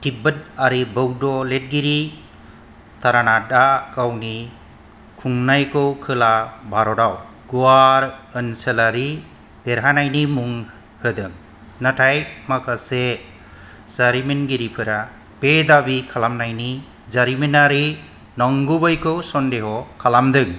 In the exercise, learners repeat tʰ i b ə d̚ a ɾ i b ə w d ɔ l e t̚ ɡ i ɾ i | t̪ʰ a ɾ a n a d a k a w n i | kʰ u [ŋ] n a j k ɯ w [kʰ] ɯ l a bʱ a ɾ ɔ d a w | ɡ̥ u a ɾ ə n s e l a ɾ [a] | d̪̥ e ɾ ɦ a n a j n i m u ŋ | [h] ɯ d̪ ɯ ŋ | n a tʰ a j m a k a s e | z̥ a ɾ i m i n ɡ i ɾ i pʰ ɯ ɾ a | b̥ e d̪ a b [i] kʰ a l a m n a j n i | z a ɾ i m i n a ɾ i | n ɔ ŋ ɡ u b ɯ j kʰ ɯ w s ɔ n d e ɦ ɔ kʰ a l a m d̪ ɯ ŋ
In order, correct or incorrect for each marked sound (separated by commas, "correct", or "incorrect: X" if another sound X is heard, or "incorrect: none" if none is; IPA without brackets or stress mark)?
correct, correct, incorrect: i, correct, correct